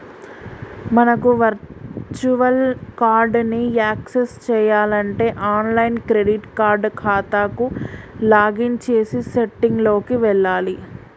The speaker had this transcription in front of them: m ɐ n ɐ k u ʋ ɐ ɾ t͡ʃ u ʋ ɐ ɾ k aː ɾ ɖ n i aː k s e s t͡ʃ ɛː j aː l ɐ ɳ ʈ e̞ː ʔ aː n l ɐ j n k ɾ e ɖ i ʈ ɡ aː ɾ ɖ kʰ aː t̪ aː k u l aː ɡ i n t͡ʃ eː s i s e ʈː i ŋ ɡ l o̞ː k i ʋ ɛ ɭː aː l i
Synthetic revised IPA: m ɐ n ɐ k u ʋ ɐ ɾ t͡ʃ u ʋ ɐ l k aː ɾ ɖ n i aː k s e s t͡ʃ ɛː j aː l ɐ ɳ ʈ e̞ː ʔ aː n l ɐ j n k ɾ e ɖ i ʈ k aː ɾ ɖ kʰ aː t̪ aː k u l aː ɡ i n t͡ʃ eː s i s e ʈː i ŋ ɡ l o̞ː k i ʋ ɛ ɭː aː l i